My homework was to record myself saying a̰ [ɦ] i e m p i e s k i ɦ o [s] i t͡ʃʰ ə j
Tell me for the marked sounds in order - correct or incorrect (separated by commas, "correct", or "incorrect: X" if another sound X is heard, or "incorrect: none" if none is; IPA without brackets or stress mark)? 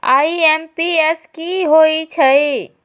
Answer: incorrect: none, incorrect: none